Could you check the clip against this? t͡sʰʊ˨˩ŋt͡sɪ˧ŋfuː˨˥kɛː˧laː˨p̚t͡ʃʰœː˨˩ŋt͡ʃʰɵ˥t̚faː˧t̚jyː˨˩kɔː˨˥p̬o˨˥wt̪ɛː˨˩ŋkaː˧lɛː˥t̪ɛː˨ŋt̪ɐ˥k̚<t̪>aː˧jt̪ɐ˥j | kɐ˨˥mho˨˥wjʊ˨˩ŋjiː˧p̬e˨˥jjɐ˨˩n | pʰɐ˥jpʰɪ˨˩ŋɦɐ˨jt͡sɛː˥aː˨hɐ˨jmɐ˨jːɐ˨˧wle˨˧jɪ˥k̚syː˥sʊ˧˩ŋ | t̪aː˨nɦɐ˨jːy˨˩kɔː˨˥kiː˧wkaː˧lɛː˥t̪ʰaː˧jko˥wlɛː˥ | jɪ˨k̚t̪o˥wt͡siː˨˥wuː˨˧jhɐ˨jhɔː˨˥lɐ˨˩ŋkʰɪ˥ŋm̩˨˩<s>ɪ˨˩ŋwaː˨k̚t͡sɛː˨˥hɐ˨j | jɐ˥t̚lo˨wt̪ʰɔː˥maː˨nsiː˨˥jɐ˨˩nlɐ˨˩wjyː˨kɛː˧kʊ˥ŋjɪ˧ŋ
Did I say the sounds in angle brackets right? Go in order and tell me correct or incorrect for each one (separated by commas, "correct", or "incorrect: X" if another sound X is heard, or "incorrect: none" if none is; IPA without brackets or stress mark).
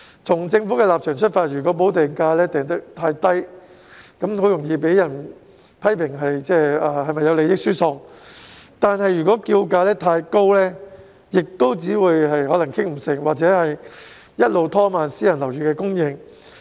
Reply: incorrect: t̪ʰ, correct